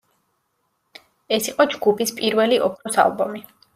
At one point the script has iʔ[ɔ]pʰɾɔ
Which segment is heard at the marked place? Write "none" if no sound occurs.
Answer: ɔ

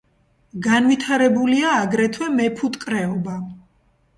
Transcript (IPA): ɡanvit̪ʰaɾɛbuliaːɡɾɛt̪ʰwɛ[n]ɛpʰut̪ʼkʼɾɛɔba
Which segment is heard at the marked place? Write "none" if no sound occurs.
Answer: m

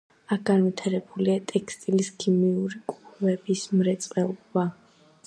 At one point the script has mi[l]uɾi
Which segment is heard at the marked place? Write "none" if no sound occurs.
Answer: none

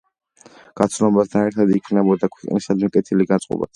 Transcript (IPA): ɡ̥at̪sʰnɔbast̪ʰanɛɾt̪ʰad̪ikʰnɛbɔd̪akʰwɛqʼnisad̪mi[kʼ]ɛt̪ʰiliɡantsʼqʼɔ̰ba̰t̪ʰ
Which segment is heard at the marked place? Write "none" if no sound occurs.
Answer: kʼ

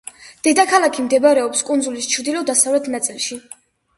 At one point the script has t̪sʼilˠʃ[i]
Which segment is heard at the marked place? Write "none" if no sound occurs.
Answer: i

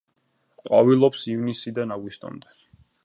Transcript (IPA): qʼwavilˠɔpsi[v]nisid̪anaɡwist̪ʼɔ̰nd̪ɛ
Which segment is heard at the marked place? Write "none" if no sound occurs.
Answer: v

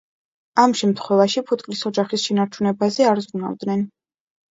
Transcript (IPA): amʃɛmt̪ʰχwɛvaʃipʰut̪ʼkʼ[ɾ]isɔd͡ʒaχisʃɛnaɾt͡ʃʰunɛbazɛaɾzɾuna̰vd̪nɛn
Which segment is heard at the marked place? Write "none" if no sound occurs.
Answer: l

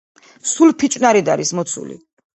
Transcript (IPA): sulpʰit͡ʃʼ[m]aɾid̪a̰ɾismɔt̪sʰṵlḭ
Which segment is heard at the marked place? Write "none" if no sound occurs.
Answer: n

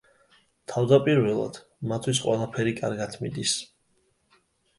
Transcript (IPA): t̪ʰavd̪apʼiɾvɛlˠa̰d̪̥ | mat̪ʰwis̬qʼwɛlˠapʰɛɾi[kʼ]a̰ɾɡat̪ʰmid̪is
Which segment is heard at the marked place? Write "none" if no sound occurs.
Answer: kʼ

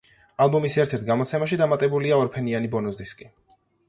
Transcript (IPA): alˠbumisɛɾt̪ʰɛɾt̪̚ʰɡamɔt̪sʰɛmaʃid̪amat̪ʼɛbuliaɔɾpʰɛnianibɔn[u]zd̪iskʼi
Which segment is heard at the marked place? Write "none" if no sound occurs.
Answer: u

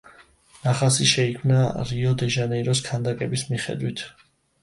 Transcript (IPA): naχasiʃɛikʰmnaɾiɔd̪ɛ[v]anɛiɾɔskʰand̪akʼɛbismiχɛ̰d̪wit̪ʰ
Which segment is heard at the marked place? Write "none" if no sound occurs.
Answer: ʒ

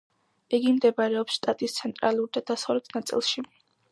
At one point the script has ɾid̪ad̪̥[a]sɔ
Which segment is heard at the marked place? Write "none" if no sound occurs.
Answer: a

